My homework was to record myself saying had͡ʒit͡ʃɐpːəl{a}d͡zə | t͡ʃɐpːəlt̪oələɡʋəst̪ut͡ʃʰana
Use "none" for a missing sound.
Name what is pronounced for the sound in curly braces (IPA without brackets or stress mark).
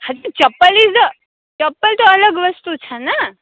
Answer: i